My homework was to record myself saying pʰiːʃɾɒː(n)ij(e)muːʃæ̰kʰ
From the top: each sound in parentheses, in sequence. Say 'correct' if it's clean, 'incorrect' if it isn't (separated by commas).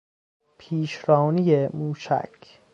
correct, correct